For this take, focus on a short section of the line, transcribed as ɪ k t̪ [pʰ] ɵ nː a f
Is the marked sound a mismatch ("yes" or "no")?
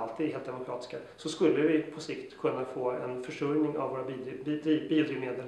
yes